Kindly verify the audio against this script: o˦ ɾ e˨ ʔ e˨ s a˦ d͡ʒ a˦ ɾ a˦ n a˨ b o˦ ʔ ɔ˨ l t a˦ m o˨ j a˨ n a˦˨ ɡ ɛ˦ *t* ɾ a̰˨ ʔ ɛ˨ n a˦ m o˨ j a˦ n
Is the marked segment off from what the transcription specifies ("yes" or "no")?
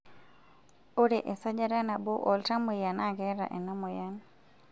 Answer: yes